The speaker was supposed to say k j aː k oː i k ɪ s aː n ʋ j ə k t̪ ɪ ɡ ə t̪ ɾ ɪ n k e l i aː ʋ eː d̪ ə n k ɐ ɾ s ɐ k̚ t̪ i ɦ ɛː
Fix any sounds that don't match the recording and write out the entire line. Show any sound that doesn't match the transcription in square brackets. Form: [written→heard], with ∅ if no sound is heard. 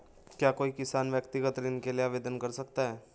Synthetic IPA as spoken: k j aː k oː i k ɪ s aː n ʋ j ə k t̪ ɪ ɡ ə t̪ ɾ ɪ n k e l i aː ʋ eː d̪ ə n k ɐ ɾ s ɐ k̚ t̪ [i→a] ɦ ɛː

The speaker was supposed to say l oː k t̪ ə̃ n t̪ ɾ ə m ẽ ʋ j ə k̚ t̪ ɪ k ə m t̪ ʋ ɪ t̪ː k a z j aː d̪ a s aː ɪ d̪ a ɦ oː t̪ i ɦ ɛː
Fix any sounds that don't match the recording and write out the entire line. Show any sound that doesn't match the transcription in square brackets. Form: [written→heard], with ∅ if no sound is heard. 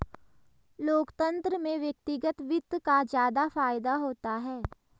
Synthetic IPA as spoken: l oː k t̪ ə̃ n t̪ ɾ ə m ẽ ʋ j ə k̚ t̪ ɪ [k→ɡ] ə [m→∅] t̪ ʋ ɪ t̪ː k a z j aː d̪ a [s→f] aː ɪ d̪ a ɦ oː t̪ [i→a] ɦ ɛː

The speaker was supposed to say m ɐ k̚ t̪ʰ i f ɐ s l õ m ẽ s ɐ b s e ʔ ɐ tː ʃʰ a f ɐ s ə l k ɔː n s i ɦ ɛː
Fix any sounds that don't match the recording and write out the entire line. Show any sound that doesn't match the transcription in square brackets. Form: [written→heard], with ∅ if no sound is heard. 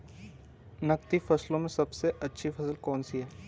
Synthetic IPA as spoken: [m→n] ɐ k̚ [t̪ʰ→t̪] i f ɐ s l õ m ẽ s ɐ b s e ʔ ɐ tː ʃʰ [a→i] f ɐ s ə l k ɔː n s i ɦ ɛː

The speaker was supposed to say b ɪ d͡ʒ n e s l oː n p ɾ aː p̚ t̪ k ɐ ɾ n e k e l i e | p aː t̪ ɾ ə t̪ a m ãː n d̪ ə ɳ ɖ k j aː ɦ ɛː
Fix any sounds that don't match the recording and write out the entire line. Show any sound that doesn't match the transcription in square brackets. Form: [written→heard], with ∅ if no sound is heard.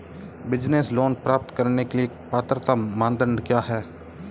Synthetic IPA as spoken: b ɪ d͡ʒ n e s l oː n p ɾ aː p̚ t̪ k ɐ ɾ n e k e l i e | p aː t̪ ɾ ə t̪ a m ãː n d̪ ə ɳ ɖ k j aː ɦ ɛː

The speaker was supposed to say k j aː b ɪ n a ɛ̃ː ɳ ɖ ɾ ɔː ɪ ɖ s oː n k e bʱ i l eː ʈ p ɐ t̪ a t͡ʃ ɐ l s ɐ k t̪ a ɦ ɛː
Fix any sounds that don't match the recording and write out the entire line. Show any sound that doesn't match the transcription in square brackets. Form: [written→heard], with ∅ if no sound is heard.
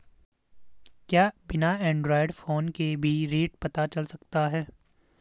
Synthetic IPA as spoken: k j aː b ɪ n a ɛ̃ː ɳ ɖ ɾ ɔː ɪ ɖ [s→f] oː n k e bʱ i [l→ɾ] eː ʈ p ɐ t̪ a t͡ʃ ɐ l s ɐ k t̪ a ɦ ɛː

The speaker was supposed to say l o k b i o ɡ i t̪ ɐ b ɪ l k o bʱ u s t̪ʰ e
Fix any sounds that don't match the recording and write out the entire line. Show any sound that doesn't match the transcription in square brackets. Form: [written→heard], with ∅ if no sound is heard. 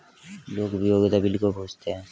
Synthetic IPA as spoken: l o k b i o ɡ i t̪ [ɐ→a] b [ɪ→i] l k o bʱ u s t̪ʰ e

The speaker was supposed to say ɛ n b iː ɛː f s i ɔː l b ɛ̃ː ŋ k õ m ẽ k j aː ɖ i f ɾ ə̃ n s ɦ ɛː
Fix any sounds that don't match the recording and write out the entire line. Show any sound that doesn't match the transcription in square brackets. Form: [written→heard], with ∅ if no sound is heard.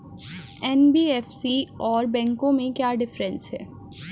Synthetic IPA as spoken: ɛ n b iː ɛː f s i ɔː [l→ɾ] b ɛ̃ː ŋ k õ m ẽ k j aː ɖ [i→ɪ] f ɾ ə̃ n s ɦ ɛː

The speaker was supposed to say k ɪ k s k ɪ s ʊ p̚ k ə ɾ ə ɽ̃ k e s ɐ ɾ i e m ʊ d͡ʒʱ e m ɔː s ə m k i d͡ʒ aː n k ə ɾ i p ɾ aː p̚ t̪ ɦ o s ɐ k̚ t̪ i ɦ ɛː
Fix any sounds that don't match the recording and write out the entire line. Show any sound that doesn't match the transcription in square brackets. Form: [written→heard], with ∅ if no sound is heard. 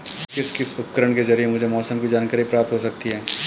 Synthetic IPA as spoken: k ɪ [k→∅] s k ɪ s ʊ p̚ k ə ɾ ə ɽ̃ k e [s→z] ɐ ɾ i e m ʊ d͡ʒʱ e m ɔː s ə m k i d͡ʒ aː n k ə ɾ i p ɾ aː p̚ t̪ ɦ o s ɐ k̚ t̪ i ɦ ɛː

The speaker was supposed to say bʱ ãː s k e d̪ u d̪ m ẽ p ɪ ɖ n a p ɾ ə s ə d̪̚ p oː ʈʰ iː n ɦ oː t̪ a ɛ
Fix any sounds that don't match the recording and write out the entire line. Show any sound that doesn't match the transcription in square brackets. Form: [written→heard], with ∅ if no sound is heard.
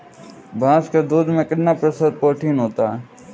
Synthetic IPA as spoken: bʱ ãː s k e d̪ [u→uː] d̪ m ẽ [p→k] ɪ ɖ n a p ɾ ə s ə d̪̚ p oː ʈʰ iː n ɦ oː t̪ a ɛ

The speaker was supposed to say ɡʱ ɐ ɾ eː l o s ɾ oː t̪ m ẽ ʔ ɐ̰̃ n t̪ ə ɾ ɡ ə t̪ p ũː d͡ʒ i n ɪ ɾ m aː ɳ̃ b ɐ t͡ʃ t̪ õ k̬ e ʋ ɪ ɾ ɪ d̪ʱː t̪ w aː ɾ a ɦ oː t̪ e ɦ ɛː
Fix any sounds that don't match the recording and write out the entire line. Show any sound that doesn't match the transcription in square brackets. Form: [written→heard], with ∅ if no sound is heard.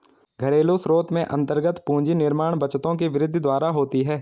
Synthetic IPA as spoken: ɡʱ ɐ ɾ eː l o s ɾ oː t̪ m ẽ ʔ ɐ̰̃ n t̪ ə ɾ ɡ ə t̪ p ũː d͡ʒ i n ɪ ɾ m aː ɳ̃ b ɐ t͡ʃ t̪ õ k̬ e ʋ ɪ ɾ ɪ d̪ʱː [t̪→d̪] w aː ɾ a ɦ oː t̪ [e→i] ɦ ɛː

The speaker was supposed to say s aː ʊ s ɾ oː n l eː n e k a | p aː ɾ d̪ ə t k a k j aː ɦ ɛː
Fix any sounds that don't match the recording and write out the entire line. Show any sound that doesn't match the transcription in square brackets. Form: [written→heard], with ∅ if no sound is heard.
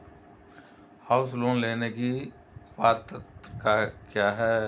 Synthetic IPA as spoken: [s→h] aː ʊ s [ɾ→l] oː n l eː n e k [a→i] | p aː ɾ [d̪→t̪] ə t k a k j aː ɦ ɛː

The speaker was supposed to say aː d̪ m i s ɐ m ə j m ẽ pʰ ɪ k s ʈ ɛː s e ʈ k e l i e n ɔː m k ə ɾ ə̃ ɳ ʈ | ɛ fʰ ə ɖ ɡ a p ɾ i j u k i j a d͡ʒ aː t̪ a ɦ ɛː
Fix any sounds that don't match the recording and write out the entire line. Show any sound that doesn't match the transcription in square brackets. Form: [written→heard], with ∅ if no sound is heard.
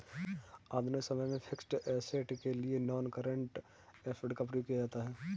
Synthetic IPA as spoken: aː d̪ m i s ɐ m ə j m ẽ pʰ ɪ k s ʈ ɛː s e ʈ k e l i e n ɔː [m→n] k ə ɾ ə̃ ɳ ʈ | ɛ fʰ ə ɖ [ɡ→k] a p ɾ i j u k i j a d͡ʒ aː t̪ a ɦ ɛː

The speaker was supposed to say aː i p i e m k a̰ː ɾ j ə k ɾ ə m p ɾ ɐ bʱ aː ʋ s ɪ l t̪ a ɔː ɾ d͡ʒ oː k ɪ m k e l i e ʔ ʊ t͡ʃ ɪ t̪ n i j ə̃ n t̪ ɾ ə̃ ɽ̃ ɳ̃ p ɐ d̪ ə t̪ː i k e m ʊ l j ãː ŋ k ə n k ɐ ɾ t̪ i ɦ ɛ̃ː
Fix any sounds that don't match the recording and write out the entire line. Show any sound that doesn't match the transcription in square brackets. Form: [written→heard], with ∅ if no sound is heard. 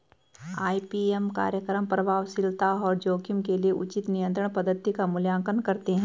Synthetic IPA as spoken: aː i p i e m k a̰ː ɾ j ə k ɾ ə m p ɾ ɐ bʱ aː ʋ s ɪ l t̪ a ɔː ɾ d͡ʒ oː k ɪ m k e l i e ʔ ʊ t͡ʃ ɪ t̪ n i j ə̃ n t̪ ɾ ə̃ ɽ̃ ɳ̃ p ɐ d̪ ə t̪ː i k [e→a] m ʊ l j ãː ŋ k ə n k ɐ ɾ t̪ [i→e] ɦ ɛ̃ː

